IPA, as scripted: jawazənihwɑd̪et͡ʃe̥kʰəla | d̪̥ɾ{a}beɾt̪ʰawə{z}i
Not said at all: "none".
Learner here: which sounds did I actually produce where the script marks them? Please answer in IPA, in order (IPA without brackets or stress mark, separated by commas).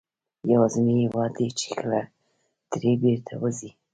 e, z